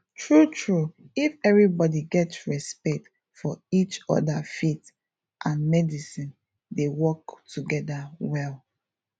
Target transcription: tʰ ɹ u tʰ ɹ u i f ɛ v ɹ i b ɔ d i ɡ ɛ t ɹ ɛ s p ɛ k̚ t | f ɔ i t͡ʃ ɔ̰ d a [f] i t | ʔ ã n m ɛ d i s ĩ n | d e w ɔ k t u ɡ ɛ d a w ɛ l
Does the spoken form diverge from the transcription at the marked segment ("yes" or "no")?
no